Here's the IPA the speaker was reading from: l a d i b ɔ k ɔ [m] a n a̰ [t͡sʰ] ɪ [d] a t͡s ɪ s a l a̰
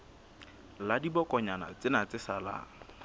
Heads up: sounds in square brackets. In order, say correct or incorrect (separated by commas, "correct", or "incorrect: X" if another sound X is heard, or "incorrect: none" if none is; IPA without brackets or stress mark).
incorrect: ɲ, incorrect: t͡s, incorrect: n